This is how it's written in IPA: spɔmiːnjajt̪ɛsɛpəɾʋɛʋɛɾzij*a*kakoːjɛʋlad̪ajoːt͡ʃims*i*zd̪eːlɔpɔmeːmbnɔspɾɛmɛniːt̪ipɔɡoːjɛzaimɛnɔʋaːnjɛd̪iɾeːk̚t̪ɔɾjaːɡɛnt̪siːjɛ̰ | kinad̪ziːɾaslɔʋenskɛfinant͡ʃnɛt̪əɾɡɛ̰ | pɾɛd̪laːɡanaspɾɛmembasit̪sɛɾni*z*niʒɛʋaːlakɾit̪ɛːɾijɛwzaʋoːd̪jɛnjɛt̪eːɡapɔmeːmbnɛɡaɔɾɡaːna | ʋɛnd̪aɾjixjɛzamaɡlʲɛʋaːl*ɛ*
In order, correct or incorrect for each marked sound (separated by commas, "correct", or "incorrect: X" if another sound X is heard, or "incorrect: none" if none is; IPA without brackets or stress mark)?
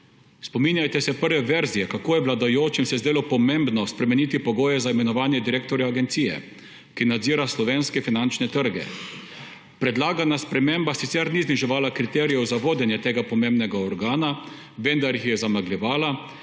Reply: incorrect: ɛ, incorrect: ɛ, correct, incorrect: a